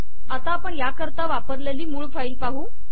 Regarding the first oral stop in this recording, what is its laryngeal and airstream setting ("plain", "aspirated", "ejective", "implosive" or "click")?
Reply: plain